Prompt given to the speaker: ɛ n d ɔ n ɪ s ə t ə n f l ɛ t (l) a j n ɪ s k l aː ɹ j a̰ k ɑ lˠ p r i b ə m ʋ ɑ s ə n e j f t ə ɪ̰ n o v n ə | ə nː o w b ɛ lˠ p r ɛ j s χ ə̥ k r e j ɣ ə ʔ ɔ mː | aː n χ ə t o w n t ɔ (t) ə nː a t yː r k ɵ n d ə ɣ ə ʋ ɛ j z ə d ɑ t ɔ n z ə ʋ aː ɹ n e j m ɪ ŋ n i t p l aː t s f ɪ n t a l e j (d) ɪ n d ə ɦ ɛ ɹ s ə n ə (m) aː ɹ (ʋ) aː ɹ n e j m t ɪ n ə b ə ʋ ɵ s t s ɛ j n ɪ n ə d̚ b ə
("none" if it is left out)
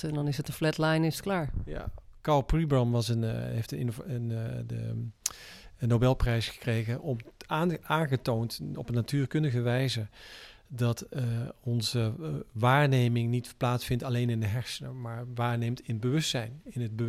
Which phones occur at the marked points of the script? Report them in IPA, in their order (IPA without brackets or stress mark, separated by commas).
l, p, n, m, ʋ